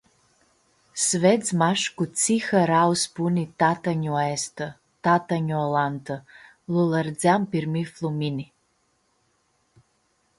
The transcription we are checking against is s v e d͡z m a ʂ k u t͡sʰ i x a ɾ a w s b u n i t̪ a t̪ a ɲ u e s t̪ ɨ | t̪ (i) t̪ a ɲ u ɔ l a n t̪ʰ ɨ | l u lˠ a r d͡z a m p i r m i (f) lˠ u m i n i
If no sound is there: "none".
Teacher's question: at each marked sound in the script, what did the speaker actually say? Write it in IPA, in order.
a, f

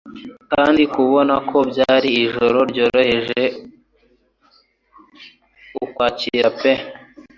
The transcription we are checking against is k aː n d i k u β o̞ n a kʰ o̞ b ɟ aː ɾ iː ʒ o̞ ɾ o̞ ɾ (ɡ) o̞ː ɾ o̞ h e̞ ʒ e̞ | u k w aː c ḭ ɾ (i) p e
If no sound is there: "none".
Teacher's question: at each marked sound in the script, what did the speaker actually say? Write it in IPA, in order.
ɟ, a

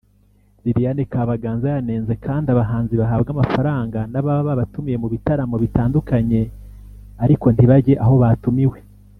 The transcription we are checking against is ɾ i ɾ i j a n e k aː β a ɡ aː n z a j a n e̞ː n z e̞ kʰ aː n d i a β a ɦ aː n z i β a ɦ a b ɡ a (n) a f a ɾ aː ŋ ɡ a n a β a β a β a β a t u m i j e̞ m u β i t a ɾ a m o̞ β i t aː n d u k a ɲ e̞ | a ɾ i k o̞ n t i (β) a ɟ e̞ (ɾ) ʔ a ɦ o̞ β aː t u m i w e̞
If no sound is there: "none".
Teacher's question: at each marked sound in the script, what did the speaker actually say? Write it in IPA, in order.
m, β, none

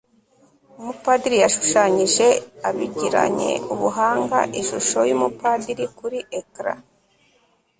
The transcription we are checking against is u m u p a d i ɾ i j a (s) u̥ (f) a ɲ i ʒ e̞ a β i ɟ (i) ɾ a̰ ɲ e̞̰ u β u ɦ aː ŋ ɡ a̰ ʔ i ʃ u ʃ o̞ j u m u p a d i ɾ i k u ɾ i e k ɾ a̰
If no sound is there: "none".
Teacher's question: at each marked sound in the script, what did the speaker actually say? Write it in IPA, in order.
ʃ, ʃ, i

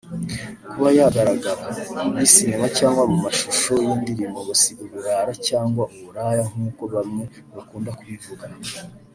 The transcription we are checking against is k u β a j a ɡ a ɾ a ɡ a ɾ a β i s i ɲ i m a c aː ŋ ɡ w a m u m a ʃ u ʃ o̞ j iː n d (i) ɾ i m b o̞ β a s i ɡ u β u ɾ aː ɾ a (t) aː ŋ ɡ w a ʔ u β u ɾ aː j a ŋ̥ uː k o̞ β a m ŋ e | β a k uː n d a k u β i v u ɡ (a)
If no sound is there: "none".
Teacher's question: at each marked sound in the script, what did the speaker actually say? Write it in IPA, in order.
i, c, a

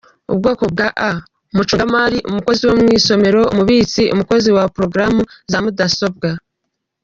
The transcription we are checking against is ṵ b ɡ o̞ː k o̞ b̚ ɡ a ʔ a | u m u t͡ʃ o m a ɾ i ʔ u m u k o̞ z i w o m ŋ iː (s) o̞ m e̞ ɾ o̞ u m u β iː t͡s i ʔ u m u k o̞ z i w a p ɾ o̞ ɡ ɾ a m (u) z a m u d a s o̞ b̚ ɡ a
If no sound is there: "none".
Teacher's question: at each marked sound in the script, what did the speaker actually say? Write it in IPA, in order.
s, u

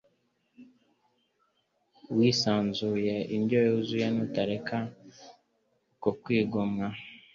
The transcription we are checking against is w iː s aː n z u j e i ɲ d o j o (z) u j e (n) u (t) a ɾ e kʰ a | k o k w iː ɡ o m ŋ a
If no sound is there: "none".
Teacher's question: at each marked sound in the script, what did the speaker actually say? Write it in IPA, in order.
z, n, t

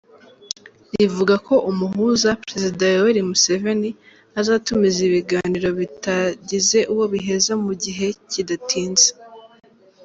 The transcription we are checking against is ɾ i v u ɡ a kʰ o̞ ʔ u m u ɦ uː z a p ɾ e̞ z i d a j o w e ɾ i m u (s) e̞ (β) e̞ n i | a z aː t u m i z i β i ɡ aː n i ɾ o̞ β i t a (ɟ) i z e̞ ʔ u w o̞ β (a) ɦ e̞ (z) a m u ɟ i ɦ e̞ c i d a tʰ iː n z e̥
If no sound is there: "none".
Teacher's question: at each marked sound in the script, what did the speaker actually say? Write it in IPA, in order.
s, v, ɟ, i, z

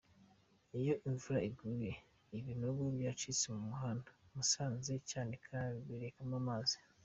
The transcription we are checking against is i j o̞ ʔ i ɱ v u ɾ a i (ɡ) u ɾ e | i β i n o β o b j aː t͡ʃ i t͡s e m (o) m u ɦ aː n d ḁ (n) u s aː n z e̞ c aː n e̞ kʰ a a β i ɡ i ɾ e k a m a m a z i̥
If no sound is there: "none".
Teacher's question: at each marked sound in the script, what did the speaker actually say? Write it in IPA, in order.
ɡ, u, m

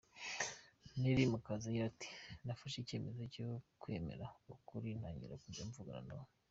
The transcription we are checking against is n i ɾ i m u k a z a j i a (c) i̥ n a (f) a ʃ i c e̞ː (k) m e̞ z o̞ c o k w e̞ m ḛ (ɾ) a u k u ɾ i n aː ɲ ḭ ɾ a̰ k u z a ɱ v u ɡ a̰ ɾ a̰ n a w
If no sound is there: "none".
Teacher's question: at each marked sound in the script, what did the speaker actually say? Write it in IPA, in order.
t, f, none, ɾ

